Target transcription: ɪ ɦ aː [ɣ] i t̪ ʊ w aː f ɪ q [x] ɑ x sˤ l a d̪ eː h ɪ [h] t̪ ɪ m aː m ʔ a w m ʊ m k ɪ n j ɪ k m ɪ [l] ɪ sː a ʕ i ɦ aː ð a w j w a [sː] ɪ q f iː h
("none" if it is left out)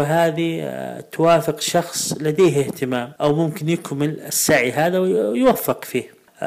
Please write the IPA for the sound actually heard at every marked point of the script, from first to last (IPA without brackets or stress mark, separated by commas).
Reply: ð, ʃ, h, l, fː